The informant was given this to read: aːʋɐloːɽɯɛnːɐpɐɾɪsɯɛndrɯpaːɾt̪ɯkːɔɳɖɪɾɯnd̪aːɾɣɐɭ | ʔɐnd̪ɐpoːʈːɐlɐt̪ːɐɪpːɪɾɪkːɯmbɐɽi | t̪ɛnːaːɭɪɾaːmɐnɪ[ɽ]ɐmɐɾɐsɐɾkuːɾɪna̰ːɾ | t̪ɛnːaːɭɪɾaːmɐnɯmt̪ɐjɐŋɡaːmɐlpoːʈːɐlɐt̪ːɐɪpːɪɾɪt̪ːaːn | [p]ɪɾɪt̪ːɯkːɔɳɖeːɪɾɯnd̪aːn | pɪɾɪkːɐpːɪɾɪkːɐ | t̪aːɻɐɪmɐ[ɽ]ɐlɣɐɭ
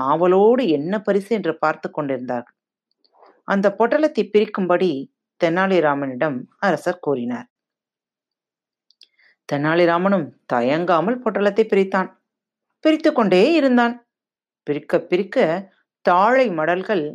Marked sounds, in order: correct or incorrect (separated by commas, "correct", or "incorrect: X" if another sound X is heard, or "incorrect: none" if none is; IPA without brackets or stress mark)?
correct, correct, correct